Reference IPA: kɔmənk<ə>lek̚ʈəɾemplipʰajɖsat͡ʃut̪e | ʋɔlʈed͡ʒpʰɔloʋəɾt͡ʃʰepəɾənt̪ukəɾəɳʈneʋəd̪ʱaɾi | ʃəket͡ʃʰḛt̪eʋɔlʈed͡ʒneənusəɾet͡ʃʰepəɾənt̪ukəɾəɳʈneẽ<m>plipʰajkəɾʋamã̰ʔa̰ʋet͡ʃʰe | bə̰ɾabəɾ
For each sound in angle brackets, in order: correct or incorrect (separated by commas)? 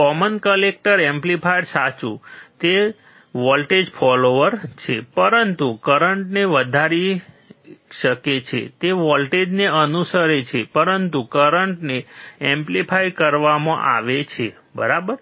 correct, correct